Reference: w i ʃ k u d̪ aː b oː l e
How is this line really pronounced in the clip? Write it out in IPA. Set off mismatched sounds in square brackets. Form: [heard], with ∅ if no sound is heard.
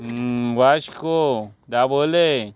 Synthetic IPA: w [a] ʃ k [o] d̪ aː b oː l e